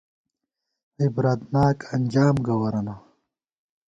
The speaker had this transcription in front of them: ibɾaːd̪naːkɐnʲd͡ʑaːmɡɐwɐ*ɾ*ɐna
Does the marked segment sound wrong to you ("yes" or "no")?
no